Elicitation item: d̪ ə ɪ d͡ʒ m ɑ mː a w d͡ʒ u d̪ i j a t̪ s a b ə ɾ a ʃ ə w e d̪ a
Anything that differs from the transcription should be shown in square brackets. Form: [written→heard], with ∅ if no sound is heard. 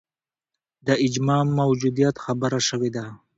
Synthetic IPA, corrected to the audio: d̪ ə ɪ d͡ʒ m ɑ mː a w d͡ʒ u d̪ i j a t̪ [s→x] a b ə ɾ a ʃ ə w e d̪ a